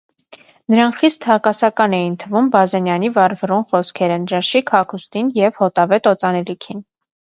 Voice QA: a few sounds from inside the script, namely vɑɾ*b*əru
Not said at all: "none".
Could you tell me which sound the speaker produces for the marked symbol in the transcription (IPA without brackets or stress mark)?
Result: v